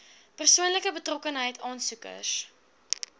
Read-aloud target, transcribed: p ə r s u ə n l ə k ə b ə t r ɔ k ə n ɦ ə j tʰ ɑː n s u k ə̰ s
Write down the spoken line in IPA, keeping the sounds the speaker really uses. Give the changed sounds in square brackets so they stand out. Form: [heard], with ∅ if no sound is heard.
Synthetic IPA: p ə r s u ə n l ə k ə b ə t r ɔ k ə n ɦ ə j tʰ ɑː n s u k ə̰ s